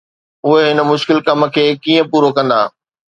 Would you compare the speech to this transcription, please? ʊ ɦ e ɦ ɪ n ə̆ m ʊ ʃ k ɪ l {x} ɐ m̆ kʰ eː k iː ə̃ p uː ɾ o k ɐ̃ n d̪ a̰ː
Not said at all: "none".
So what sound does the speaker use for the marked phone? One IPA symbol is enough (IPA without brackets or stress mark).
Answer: k